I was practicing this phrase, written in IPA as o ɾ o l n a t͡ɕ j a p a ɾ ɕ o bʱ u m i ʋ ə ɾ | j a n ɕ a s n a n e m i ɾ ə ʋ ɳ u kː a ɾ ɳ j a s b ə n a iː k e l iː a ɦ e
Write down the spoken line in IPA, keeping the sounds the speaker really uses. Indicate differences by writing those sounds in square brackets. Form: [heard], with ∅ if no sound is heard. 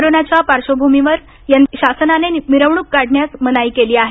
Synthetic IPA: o ɾ o [∅] n a t͡ɕ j a p a ɾ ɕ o bʱ u m i ʋ ə ɾ | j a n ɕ a s n a n e m i ɾ ə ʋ ɳ u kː a [ɽ] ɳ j a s [m] ə n a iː k e l iː a ɦ e